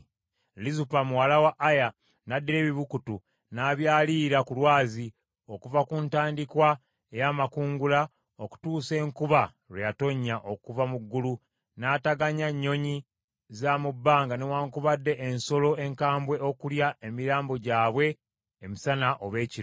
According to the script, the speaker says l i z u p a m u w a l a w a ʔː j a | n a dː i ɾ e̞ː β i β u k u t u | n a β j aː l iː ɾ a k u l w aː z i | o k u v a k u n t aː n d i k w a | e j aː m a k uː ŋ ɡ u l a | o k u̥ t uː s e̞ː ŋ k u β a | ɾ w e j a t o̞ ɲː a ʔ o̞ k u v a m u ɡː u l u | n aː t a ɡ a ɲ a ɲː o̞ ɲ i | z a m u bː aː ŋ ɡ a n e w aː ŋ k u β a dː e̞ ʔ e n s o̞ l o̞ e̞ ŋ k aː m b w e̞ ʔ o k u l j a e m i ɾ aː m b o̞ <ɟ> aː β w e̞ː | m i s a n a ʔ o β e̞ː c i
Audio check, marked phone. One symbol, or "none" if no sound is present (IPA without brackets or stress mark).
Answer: ɟ